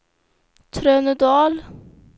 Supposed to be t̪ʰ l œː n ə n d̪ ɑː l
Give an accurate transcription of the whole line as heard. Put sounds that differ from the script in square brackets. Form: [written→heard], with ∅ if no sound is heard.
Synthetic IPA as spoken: t̪ʰ [l→ɾ] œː n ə [n→∅] d̪ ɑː l